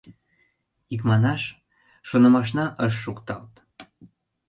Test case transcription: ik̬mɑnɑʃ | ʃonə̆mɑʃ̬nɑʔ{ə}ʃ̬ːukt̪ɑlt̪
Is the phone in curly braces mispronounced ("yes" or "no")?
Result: no